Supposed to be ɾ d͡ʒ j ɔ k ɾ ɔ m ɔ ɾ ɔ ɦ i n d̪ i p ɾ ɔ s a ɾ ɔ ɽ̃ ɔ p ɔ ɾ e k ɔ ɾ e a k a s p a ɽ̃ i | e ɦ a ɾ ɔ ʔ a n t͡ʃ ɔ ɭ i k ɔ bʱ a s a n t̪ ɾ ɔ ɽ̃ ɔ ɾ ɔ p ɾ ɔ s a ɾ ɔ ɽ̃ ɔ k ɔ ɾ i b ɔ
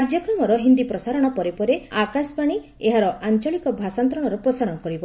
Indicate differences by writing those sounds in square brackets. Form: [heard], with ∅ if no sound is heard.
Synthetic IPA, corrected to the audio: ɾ d͡ʒ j ɔ k ɾ ɔ m ɔ ɾ ɔ ɦ i n d̪ i p ɾ ɔ s a ɾ ɔ ɽ̃ ɔ p ɔ ɾ e [p] ɔ ɾ e a k a s p a ɽ̃ i | e ɦ a ɾ ɔ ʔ a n t͡ʃ ɔ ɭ i k ɔ bʱ a s a n t̪ ɾ ɔ ɽ̃ ɔ ɾ ɔ p ɾ ɔ s a ɾ ɔ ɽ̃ ɔ k ɔ ɾ i b ɔ